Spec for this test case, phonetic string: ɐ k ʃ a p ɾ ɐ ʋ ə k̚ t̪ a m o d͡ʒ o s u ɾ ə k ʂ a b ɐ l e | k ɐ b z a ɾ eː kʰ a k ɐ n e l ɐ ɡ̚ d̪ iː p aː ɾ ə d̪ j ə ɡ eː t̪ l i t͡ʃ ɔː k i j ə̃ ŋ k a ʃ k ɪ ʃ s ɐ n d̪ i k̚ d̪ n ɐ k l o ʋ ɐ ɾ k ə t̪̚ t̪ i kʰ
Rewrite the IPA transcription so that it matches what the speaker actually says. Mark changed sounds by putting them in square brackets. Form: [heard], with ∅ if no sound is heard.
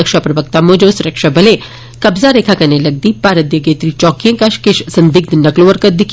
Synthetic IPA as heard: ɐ k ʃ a p ɾ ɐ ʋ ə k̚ t̪ a m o d͡ʒ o s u ɾ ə k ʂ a b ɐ l e | k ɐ b z a ɾ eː kʰ a k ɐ n e l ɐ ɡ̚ d̪ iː p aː ɾ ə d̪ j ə ɡ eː t̪ [ɾ] i t͡ʃ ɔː k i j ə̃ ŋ k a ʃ k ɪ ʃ s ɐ n d̪ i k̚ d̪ n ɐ k l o ʋ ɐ ɾ k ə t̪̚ [d̪] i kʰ